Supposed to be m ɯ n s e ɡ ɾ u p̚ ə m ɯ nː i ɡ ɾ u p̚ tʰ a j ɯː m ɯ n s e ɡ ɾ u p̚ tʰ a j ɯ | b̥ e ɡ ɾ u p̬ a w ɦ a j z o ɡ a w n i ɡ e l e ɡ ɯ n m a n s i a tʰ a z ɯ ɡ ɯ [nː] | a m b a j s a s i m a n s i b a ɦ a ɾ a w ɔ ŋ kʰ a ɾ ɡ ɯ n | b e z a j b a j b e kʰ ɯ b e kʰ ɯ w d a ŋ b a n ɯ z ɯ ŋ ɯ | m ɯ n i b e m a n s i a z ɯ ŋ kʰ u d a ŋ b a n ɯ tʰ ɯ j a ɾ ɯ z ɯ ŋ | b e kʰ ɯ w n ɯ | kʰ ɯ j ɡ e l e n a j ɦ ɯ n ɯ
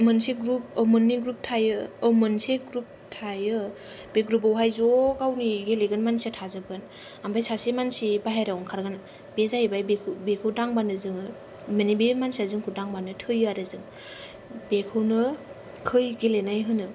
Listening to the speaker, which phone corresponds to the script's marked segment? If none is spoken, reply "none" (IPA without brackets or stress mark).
n